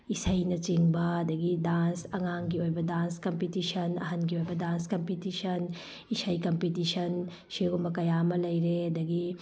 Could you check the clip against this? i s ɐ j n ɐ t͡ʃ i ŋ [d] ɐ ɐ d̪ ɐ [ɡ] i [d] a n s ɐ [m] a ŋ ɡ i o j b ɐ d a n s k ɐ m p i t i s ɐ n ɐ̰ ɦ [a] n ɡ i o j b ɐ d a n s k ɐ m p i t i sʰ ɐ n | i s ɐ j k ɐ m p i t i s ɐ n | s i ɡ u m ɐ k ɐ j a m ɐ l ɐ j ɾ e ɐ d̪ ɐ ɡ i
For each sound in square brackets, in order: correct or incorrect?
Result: incorrect, correct, correct, incorrect, incorrect

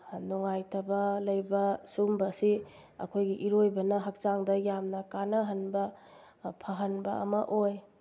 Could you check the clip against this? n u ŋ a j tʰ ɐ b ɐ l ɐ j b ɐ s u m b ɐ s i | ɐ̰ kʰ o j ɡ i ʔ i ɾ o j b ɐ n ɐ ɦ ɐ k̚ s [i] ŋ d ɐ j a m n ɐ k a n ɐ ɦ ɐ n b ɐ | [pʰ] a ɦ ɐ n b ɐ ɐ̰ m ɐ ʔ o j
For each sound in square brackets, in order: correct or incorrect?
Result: incorrect, correct

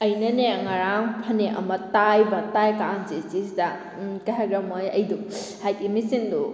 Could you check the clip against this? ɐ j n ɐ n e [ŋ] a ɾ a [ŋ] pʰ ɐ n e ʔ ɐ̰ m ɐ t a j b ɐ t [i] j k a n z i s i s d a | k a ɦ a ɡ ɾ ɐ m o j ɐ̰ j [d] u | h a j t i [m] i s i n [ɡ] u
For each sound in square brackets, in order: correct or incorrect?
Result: correct, correct, incorrect, correct, correct, incorrect

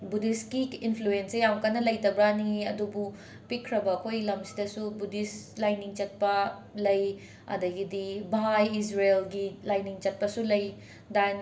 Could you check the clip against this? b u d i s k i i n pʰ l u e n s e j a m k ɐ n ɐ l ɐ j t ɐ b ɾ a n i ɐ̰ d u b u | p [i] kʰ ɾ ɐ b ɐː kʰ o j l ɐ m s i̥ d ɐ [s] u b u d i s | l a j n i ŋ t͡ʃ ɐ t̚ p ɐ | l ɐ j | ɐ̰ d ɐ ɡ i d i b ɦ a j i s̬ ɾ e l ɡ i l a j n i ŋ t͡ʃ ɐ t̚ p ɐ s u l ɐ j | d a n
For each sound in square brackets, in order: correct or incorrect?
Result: correct, correct

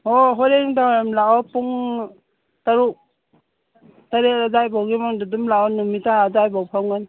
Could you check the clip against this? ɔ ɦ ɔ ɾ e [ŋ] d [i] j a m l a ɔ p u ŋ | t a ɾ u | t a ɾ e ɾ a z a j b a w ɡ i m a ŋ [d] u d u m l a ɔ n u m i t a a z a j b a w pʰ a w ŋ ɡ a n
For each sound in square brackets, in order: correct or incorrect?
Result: correct, incorrect, correct

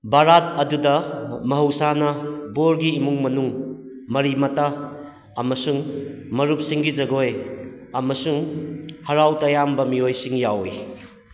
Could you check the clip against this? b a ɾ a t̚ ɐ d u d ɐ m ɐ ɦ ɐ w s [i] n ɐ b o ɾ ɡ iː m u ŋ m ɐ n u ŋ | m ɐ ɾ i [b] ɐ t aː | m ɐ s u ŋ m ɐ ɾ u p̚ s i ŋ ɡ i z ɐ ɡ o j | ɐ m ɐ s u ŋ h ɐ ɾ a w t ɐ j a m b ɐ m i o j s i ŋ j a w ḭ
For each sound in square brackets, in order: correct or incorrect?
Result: incorrect, incorrect

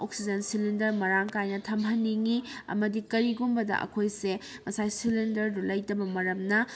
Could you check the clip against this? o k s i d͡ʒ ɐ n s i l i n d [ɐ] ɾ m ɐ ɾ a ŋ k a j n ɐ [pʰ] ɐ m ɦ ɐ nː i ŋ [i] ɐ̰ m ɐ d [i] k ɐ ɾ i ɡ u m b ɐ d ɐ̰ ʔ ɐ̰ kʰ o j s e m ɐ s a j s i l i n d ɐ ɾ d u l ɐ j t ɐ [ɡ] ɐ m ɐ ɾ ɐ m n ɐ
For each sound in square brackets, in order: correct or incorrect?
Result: correct, incorrect, correct, correct, incorrect

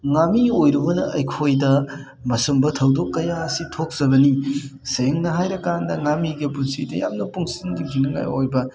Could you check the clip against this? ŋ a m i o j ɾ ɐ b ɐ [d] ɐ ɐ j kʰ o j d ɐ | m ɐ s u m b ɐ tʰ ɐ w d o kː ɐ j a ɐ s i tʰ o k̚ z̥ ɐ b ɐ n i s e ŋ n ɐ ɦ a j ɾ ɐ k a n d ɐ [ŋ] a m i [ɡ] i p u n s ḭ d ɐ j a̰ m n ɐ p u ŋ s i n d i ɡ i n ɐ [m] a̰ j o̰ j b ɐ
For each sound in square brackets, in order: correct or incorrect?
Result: incorrect, correct, correct, incorrect

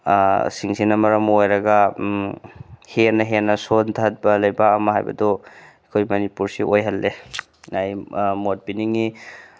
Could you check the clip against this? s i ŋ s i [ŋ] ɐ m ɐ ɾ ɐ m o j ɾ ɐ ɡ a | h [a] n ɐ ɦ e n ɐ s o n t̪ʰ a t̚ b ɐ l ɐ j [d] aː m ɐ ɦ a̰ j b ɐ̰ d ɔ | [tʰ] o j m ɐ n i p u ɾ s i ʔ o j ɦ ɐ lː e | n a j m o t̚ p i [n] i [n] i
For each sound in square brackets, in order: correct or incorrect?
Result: incorrect, incorrect, incorrect, incorrect, correct, incorrect

